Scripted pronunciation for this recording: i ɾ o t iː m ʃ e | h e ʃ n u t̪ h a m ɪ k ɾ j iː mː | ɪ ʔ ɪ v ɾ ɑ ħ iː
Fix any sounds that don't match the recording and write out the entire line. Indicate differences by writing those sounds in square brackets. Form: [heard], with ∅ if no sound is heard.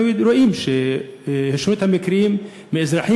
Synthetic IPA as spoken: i ɾ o [ʔ] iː m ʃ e | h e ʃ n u t̪ h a m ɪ k ɾ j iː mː | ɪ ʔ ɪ [z] ɾ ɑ ħ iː